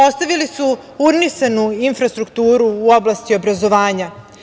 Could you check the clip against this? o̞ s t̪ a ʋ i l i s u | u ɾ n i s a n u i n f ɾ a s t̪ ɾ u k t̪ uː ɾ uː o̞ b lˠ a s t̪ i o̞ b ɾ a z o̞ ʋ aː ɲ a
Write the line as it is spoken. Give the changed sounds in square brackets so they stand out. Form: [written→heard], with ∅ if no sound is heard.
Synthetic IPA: o̞ s t̪ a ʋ i l i s u | u ɾ n i s a n u i n f ɾ a s t̪ ɾ u k t̪ uː ɾ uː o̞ b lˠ a s t̪ i o̞ b ɾ a z o̞ ʋ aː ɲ a